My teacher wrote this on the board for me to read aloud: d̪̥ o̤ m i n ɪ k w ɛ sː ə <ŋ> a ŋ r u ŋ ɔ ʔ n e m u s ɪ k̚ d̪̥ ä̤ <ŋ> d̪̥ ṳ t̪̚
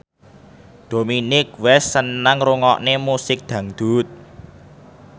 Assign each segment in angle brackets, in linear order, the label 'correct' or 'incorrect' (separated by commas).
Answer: incorrect, correct